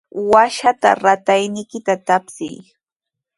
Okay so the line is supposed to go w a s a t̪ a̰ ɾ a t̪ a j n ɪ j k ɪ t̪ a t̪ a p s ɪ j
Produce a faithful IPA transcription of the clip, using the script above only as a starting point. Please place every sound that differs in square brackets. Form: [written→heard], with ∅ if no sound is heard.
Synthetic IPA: w a [s→ʃ] a t̪ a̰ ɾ a t̪ a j n ɪ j k ɪ t̪ a t̪ a p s ɪ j